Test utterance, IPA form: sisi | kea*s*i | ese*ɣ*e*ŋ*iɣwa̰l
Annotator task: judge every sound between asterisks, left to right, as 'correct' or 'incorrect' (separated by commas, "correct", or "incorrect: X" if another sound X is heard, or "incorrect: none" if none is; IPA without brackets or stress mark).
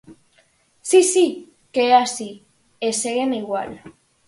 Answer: correct, correct, incorrect: n